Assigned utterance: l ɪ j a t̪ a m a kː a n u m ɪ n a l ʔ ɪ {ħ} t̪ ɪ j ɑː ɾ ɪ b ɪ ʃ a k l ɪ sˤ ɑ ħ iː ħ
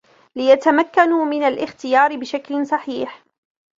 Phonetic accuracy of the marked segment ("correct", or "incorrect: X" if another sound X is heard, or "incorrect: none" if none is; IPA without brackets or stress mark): incorrect: x